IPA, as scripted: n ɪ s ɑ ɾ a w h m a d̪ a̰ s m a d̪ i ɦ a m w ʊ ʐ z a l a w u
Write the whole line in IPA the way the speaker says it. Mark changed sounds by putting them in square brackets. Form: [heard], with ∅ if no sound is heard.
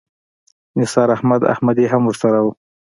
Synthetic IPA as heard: n ɪ s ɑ ɾ a [∅] h m a d̪ a̰ [h] m a d̪ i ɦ a m w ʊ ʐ [s] a [ɾ] a w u